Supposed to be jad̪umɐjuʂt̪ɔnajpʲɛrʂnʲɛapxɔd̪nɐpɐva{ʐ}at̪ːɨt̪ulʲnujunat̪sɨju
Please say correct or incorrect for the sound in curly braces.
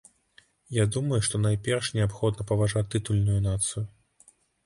correct